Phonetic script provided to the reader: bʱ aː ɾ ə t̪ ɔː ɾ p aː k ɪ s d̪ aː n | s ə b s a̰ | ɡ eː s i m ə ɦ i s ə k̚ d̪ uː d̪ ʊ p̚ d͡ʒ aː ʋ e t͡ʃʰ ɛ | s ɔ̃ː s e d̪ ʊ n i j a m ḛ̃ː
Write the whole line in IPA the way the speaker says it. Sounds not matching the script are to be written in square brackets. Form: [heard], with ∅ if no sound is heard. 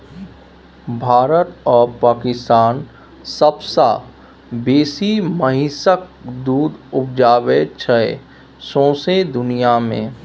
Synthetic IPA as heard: bʱ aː ɾ ə t̪ ɔː ɾ p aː k ɪ s [t̪] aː n | s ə b s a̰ | [b] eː s i m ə ɦ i s ə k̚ d̪ uː d̪ ʊ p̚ d͡ʒ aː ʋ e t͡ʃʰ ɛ | s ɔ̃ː s e d̪ ʊ n i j a m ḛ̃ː